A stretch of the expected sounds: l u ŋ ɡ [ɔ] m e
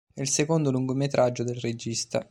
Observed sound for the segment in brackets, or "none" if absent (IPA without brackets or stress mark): o